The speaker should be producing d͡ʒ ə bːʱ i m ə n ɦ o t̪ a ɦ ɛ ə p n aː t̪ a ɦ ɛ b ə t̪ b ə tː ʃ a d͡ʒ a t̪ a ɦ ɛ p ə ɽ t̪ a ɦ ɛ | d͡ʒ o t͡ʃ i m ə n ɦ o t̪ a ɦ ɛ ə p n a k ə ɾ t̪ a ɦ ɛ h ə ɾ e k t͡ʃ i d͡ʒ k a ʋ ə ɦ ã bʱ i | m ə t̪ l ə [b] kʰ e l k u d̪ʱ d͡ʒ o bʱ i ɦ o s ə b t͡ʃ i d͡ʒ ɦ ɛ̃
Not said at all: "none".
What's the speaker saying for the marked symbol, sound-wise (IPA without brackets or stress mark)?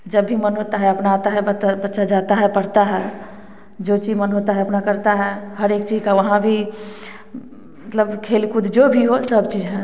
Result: b